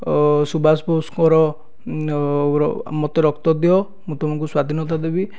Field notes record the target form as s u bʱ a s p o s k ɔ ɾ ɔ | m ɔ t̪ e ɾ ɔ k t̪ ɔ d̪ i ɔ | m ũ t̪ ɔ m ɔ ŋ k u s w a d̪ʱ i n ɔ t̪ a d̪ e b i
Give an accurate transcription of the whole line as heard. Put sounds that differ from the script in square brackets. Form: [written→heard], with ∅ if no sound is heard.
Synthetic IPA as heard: s u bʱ a s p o s k ɔ ɾ ɔ | m ɔ t̪ e ɾ ɔ k t̪ ɔ d̪ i ɔ | m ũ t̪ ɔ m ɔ ŋ k u s w a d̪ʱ i n ɔ t̪ a d̪ e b i

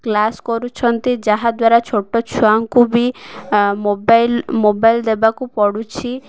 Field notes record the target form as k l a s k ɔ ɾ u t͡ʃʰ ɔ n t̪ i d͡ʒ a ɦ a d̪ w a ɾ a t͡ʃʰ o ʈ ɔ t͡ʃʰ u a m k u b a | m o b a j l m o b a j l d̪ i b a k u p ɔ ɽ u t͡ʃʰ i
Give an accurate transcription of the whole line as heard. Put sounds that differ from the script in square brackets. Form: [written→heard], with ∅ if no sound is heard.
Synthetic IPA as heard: k l a s k ɔ ɾ u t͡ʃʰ ɔ n t̪ i d͡ʒ a ɦ a d̪ w a ɾ a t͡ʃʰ o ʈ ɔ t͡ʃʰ u a [m→ŋ] k u b [a→i] | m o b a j l m o b a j l d̪ [i→e] b a k u p ɔ ɽ u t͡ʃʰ i

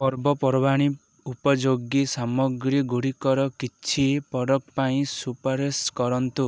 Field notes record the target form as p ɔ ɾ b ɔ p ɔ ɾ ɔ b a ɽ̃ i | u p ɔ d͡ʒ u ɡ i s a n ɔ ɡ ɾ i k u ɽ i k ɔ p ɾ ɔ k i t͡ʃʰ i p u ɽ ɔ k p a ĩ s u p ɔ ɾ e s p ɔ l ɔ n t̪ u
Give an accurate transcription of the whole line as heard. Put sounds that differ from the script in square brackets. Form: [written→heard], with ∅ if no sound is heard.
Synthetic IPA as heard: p ɔ ɾ b ɔ p ɔ ɾ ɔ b a ɽ̃ i | u p ɔ d͡ʒ [u→o] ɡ i s a [n→m] ɔ ɡ ɾ i [k→ɡ] u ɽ i k ɔ [p→∅] ɾ ɔ k i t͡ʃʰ i p [u→ɔ] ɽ ɔ k p a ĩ s u p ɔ ɾ e s [p→k] ɔ [l→ɾ] ɔ n t̪ u

